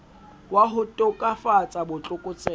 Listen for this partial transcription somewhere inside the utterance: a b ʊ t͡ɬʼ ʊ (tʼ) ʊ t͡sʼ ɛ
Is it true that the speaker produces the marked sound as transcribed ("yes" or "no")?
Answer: no